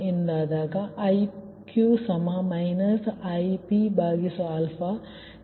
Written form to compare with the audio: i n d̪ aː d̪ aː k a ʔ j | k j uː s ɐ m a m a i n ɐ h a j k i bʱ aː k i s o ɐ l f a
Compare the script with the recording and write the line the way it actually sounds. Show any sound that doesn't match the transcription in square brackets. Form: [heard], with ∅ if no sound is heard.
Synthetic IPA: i n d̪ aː d̪ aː k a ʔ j | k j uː s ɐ m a m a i n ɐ [s] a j [p] i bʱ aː [ɡ] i s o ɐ l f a